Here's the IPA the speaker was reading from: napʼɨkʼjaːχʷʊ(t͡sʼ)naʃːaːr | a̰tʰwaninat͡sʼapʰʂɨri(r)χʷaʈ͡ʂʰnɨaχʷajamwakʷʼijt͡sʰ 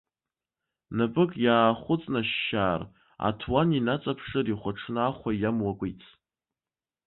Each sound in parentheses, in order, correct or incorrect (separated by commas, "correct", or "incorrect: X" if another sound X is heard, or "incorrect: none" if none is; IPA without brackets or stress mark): correct, incorrect: none